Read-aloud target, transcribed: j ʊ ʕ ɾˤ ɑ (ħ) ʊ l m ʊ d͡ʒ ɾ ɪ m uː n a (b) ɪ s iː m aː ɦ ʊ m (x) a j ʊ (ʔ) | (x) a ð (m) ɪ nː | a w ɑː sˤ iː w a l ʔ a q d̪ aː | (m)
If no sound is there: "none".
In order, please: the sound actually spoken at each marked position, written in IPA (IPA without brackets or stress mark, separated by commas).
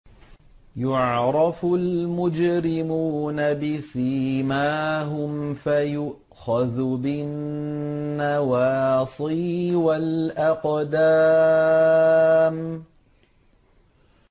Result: f, b, f, ʔ, x, b, m